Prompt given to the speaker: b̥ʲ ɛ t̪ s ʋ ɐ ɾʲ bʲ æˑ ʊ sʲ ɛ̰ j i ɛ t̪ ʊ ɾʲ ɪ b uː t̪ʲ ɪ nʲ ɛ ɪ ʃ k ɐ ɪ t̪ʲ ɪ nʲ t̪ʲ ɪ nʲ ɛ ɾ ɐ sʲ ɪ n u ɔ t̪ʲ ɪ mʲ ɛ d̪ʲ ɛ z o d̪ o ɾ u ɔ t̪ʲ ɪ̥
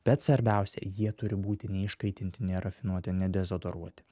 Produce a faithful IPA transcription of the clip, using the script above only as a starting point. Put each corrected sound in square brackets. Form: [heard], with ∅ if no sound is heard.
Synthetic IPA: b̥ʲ ɛ t̪ s ʋ ɐ ɾʲ bʲ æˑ ʊ sʲ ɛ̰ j i ɛ t̪ ʊ ɾʲ ɪ b uː t̪ʲ ɪ nʲ ɛ ɪ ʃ k ɐ ɪ t̪ʲ ɪ nʲ t̪ʲ ɪ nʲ ɛ ɾ ɐ [fʲ] ɪ n u ɔ t̪ʲ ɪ [nʲ] ɛ d̪ʲ ɛ z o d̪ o ɾ u ɔ t̪ʲ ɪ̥